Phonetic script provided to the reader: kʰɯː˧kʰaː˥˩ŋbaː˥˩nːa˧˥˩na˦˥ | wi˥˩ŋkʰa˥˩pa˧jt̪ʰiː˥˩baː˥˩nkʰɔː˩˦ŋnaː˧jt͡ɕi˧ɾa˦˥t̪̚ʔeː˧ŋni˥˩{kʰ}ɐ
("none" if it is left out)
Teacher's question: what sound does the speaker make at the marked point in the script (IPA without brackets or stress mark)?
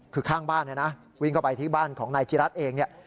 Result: none